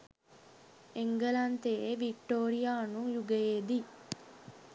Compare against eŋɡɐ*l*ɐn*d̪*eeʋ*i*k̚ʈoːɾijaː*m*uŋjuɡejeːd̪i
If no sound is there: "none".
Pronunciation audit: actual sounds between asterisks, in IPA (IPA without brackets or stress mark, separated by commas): l, t̪, i, n